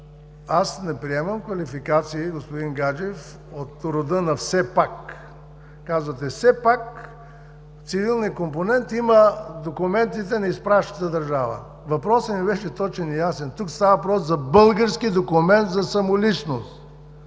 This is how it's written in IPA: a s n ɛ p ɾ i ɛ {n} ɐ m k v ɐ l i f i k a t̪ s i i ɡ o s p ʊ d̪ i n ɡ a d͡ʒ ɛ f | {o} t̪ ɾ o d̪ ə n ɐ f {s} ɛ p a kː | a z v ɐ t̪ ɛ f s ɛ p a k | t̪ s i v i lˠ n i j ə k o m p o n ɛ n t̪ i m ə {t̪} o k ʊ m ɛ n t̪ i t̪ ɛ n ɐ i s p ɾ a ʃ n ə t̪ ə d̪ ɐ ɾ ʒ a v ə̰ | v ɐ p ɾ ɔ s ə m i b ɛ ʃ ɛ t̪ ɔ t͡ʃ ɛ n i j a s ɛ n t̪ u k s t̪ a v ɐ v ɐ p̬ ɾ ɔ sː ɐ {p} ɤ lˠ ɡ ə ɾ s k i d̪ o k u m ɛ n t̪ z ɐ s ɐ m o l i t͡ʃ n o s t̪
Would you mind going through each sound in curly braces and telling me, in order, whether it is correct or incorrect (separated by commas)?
incorrect, correct, correct, incorrect, incorrect